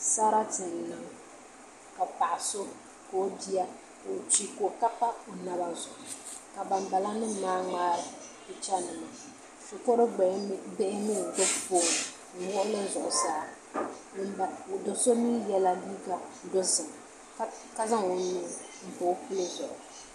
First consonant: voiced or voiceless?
voiceless